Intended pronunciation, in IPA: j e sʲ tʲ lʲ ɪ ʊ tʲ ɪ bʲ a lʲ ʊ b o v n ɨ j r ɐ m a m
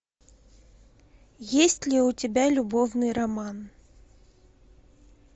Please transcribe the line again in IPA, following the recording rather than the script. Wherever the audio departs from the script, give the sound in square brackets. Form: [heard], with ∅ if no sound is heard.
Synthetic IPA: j e sʲ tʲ lʲ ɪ ʊ tʲ ɪ bʲ a lʲ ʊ b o v n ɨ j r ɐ m a [n]